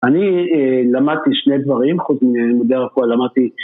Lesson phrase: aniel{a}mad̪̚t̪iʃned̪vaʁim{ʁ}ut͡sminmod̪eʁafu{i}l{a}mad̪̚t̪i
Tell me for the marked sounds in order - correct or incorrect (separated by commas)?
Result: correct, incorrect, incorrect, correct